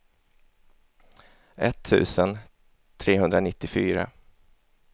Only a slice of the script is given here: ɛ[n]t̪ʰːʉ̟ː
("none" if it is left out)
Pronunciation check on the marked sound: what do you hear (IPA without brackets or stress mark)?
none